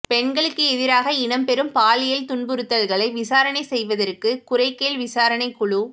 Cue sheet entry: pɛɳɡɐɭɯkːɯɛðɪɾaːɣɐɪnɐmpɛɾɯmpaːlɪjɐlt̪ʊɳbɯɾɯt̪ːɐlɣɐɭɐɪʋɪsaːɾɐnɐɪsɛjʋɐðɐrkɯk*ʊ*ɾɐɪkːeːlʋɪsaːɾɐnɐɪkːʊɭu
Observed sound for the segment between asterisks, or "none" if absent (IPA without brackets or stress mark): ʊ